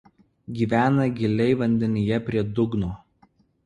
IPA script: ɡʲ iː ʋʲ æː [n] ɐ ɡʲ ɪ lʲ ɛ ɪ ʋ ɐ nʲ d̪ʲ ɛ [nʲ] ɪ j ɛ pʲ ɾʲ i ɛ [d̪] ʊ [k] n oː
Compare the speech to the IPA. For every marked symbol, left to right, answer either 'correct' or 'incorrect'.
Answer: correct, correct, correct, incorrect

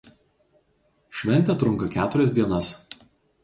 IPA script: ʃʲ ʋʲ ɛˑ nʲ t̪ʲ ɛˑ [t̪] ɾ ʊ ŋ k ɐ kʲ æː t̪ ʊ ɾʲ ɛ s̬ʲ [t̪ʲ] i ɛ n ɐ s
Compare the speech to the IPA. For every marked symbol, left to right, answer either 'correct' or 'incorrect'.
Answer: correct, incorrect

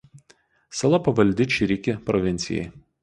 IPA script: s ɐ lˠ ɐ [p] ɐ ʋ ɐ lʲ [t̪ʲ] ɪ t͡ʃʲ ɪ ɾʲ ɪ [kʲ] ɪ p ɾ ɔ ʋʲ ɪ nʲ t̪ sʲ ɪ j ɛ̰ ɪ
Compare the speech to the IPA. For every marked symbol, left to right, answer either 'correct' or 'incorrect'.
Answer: correct, incorrect, correct

